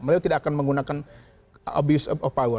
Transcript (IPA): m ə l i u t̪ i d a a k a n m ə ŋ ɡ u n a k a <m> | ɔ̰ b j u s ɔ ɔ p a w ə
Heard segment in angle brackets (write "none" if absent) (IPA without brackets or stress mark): n